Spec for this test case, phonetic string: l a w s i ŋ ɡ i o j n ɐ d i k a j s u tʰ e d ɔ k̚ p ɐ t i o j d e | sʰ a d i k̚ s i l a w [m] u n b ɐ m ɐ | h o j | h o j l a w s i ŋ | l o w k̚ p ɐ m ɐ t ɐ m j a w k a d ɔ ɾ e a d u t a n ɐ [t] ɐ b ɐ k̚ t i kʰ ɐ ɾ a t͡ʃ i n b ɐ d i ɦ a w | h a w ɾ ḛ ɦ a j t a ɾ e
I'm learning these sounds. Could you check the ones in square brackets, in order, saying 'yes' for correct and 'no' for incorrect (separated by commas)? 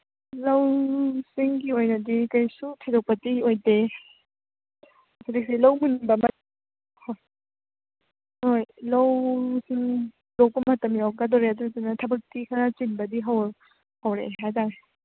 yes, no